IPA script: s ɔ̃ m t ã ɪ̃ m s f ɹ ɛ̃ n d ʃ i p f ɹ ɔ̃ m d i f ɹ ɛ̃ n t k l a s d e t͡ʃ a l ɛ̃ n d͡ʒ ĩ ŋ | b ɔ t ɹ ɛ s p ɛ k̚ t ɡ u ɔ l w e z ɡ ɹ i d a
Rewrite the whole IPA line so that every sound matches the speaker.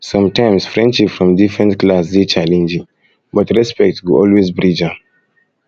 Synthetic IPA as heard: s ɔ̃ m t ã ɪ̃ m s f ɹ ɛ̃ n d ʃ i p f ɹ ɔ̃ m d i f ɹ ɛ̃ n t k l a s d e t͡ʃ a l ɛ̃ n d͡ʒ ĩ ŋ | b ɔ t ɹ ɛ s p ɛ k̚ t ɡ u ɔ l w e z b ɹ i d͡ʒ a